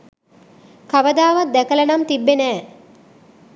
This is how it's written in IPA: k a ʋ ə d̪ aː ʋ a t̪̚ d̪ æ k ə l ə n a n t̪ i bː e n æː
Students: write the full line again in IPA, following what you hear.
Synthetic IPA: k a ʋ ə d̪ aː ʋ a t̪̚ d̪ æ k ə l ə n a m t̪ i bː e n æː